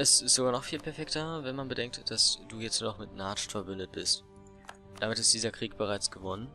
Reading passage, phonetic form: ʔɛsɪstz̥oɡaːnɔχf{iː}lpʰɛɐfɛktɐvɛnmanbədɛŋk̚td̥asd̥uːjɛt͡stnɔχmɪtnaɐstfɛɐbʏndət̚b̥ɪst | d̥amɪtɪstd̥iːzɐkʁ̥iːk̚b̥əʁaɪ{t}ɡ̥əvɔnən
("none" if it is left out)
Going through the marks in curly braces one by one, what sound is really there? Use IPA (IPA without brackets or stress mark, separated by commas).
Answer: iː, t͡s